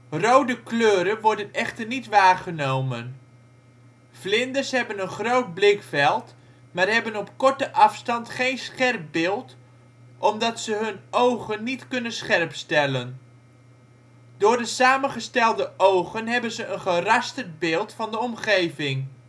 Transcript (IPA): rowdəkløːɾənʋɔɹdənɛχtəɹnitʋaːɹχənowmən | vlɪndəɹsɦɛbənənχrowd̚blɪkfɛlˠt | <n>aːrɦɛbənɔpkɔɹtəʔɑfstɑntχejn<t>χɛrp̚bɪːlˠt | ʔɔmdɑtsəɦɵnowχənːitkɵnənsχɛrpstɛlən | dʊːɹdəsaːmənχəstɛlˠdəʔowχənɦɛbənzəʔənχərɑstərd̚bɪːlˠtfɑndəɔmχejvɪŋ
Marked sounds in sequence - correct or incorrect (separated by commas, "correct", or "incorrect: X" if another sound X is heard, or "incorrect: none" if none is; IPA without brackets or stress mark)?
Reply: incorrect: m, incorrect: s